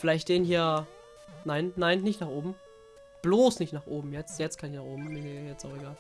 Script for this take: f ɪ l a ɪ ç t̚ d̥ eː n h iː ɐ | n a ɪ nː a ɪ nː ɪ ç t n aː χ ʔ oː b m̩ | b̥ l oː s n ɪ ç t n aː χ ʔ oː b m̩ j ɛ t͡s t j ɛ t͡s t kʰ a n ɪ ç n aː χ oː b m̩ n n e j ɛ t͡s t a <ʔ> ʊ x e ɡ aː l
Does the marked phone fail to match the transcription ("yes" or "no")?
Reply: yes